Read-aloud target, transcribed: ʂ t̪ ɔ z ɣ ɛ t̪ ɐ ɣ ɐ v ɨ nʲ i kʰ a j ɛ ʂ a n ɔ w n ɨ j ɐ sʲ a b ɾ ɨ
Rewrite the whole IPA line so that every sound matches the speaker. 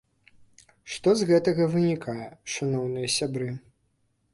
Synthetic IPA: ʂ t̪ ɔ z ɣ ɛ t̪ ɐ ɣ ɐ v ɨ nʲ i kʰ a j ɛ ʂ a n ɔ w n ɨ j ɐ sʲ a b ɾ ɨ